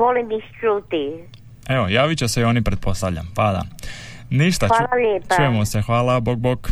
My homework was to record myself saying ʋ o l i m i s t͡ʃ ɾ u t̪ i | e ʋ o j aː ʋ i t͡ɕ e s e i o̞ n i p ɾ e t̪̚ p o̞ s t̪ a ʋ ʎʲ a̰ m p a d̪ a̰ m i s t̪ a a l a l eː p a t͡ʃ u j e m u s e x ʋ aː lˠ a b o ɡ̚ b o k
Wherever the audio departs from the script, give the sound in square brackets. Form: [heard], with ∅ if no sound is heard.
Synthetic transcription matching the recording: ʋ o l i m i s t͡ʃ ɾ u t̪ i | e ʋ o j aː ʋ i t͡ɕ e s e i o̞ n i p ɾ e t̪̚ p o̞ s t̪ a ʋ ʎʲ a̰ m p a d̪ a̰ [n] i [ʃ] t̪ a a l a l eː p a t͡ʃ u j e m [o] s e x ʋ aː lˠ a b o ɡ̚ b o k